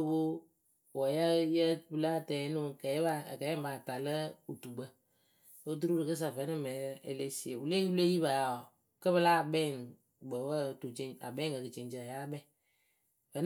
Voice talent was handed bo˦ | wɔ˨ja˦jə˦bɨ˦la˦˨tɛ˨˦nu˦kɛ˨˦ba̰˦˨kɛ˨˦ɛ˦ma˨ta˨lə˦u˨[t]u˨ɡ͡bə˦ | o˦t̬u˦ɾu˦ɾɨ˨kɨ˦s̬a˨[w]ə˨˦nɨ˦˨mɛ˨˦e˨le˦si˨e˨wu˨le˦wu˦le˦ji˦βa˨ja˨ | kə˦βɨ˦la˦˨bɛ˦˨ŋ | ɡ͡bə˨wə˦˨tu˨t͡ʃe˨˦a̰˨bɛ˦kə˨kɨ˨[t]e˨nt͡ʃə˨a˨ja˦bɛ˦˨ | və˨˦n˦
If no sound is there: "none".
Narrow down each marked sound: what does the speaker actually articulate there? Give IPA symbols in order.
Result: t, v, t͡ʃ

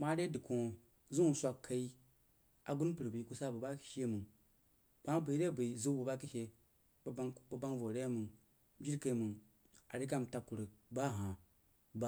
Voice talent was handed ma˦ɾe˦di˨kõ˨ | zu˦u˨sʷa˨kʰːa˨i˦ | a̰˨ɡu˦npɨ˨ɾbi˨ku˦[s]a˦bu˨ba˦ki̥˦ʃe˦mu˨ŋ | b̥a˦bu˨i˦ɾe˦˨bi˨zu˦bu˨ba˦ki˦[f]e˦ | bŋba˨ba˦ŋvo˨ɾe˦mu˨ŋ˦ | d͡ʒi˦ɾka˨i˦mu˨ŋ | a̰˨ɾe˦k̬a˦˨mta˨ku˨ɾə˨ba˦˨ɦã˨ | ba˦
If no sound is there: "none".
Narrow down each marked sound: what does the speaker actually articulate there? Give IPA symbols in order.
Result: s, ʃ

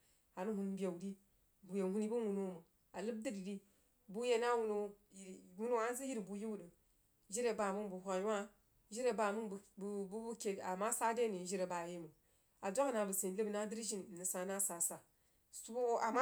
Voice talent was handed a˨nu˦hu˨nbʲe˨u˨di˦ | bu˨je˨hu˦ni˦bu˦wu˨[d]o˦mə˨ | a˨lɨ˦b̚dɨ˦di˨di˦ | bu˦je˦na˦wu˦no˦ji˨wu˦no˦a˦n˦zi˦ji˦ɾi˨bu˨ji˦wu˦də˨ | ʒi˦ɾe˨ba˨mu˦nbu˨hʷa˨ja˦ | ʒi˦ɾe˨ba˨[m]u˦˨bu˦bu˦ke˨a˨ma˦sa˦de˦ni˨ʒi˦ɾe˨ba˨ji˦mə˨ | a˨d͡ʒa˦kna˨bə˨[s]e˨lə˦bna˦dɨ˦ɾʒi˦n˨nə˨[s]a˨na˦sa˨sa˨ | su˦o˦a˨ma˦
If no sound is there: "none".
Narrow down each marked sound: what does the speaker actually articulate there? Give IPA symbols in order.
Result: n, m, s, s

